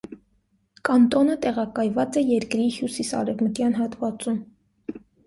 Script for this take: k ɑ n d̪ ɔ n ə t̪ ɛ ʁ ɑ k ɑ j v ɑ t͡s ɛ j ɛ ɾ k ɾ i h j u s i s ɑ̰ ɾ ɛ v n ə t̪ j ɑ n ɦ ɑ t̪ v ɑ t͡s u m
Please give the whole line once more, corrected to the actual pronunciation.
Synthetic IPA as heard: k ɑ n t̪ ɔ n ə t̪ ɛ ʁ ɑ k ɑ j v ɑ t͡s ɛ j ɛ ɾ k ɾ i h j u s i s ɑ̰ ɾ ɛ v m ə t̪ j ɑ n ɦ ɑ t̪ v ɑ t͡s u m